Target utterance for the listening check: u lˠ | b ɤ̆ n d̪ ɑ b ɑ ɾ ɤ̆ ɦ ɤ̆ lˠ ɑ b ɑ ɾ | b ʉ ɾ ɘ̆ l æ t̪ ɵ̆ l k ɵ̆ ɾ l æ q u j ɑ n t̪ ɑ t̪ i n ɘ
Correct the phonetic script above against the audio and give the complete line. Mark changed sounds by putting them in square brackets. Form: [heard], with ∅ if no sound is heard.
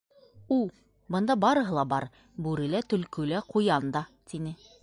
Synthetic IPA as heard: u lˠ | b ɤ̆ n d̪ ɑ b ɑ ɾ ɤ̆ ɦ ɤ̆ lˠ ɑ b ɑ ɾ | b ʉ ɾ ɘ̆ l æ t̪ ɵ̆ l k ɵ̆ [∅] l æ q u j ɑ n [d̪] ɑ t̪ i n ɘ